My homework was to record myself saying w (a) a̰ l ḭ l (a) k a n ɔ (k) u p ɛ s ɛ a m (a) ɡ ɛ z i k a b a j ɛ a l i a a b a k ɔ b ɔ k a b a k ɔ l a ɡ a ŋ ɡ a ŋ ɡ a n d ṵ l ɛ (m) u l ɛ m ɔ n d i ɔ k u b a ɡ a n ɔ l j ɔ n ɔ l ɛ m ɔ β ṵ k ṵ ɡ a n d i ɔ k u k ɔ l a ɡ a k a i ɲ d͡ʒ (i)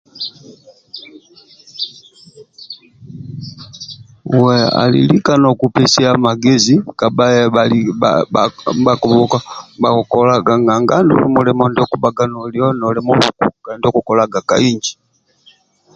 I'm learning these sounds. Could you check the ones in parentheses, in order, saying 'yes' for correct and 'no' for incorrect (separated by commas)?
no, no, yes, yes, yes, yes